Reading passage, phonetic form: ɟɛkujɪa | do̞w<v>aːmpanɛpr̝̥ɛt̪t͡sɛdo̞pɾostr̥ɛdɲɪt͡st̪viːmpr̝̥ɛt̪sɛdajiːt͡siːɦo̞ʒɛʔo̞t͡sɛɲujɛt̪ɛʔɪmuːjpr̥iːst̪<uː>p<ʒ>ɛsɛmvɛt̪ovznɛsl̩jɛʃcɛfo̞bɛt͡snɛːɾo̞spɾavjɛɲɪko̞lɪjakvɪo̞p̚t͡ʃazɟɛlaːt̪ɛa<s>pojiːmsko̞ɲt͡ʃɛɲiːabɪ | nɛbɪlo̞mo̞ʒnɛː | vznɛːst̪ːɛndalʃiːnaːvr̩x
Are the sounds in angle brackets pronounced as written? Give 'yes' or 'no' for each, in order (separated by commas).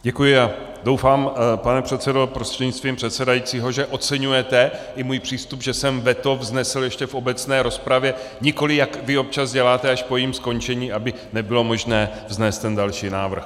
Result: no, no, yes, no